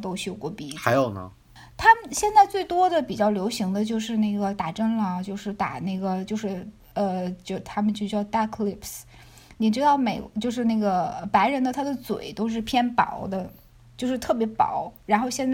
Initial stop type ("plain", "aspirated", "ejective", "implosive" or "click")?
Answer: plain